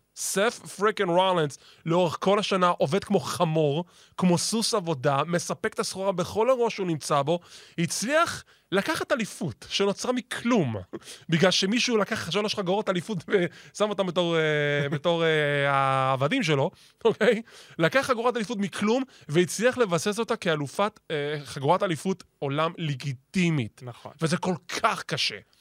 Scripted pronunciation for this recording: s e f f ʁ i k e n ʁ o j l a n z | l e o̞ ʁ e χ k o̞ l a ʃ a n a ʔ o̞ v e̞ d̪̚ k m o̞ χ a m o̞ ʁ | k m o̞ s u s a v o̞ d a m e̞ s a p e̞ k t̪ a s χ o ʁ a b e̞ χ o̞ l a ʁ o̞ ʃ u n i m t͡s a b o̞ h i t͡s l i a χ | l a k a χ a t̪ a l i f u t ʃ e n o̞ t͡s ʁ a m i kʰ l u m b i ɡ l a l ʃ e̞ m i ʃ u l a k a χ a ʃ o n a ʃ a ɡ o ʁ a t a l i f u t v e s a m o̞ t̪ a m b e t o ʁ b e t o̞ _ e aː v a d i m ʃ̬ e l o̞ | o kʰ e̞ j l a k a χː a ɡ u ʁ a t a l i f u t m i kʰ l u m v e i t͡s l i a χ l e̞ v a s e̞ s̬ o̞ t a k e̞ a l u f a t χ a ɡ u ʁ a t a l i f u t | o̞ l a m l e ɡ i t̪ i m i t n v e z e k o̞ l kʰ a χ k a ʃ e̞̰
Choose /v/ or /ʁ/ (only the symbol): ʁ